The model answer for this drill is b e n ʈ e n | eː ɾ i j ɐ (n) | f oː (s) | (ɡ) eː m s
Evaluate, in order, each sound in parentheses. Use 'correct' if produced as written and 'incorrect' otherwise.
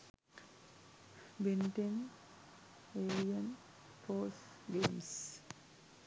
correct, correct, correct

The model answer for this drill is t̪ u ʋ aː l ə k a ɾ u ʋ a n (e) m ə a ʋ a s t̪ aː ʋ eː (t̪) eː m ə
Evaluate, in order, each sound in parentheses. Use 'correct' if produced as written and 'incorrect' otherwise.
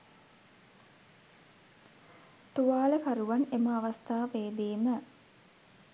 correct, incorrect: d̪

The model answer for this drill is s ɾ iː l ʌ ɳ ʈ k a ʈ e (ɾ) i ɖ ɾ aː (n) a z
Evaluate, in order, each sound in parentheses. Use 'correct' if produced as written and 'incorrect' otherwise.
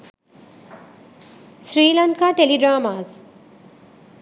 incorrect: l, incorrect: m

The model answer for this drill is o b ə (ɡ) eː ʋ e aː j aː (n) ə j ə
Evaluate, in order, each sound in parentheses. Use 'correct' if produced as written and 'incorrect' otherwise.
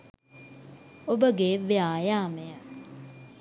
correct, incorrect: m

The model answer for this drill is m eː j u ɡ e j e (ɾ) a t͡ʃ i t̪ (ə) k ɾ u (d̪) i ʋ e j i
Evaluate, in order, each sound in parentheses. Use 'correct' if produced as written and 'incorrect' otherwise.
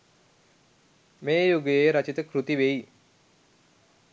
correct, correct, incorrect: t̪

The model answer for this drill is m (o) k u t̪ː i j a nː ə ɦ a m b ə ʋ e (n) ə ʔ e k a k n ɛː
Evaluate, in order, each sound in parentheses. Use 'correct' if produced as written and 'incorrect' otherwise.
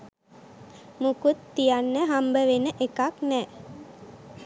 incorrect: u, correct

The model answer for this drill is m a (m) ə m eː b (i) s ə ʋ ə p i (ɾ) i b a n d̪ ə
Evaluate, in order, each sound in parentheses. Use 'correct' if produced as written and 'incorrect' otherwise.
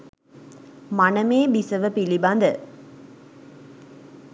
incorrect: n, correct, incorrect: l

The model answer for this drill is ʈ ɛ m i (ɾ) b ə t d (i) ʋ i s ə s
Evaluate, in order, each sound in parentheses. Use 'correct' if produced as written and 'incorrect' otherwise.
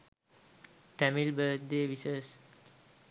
incorrect: l, incorrect: e

